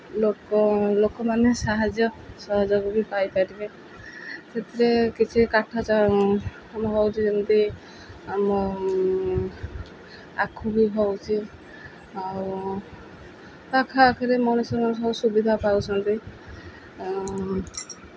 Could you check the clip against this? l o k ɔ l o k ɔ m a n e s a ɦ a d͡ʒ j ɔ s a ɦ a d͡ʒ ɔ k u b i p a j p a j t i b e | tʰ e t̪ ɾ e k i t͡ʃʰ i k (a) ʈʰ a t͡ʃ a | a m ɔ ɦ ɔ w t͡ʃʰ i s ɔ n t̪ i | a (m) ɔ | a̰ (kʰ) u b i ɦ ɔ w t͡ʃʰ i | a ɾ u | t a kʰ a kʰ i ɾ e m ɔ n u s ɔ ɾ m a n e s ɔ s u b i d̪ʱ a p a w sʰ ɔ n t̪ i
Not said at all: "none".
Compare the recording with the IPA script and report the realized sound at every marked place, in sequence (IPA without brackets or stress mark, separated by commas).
a, m, kʰ